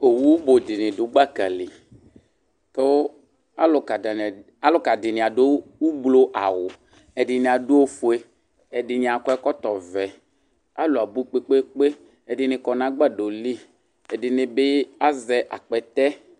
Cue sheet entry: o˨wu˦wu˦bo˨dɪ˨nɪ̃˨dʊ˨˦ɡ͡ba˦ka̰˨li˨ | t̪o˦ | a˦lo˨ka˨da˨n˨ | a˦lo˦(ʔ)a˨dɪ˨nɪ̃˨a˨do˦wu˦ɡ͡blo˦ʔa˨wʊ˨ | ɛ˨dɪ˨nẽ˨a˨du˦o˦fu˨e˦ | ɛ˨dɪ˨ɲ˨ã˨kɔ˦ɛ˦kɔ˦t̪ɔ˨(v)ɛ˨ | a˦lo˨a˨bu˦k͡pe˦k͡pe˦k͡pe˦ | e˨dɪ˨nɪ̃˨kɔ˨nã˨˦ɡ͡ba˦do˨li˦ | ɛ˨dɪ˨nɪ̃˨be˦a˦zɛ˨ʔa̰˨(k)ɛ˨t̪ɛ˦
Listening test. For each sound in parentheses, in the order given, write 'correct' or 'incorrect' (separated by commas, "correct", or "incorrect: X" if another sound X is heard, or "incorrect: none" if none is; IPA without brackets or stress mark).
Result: incorrect: k, correct, incorrect: k͡p